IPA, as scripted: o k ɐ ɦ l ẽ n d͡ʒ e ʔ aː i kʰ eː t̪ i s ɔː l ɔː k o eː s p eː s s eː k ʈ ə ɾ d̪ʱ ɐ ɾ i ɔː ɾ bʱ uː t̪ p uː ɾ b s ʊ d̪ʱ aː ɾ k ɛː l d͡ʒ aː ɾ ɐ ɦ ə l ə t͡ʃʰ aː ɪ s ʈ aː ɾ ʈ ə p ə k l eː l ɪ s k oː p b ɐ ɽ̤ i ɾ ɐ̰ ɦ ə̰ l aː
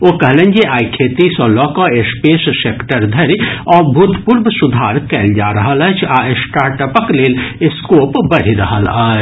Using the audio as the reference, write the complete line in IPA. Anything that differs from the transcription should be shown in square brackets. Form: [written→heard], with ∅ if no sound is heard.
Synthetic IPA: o k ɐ ɦ l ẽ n d͡ʒ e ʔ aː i kʰ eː t̪ i s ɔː l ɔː k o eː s p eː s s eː k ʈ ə ɾ d̪ʱ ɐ ɾ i ɔː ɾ bʱ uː t̪ p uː ɾ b s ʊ d̪ʱ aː ɾ k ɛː l d͡ʒ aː ɾ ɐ ɦ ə l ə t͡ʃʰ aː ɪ s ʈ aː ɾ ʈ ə p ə k l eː l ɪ s k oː p b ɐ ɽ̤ i ɾ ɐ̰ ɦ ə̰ l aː